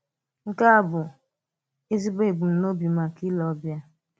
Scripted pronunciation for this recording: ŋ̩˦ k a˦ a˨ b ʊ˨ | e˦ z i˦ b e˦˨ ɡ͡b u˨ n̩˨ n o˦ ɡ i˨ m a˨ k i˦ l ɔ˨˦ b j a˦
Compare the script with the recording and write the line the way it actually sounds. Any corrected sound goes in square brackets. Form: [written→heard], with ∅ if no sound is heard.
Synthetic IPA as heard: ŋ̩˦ k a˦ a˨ b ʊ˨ | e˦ z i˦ b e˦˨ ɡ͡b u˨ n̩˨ n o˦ [ɡ→b] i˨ m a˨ k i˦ l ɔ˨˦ b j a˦